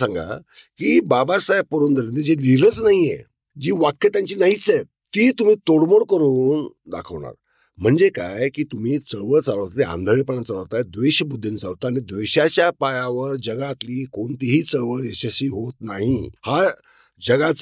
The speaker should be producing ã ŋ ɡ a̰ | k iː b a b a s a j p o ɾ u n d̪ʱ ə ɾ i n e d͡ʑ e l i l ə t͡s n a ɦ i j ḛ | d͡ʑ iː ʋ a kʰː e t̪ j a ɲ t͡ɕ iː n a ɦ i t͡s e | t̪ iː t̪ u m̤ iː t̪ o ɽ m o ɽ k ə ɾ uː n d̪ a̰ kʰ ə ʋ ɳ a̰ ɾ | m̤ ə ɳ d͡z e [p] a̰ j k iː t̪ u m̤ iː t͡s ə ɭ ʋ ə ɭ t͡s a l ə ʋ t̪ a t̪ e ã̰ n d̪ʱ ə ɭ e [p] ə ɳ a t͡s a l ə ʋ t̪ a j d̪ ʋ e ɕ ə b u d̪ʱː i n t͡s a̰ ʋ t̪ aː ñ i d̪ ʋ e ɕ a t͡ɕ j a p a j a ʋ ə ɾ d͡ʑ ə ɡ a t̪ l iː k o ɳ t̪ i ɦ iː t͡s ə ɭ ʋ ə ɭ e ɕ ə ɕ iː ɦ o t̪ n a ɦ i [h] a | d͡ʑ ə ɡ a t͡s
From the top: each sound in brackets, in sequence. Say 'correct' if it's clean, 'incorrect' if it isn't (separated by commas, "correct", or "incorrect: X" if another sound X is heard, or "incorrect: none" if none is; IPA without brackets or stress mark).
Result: incorrect: k, correct, correct